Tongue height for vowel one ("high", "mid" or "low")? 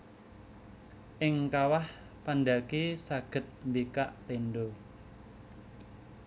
high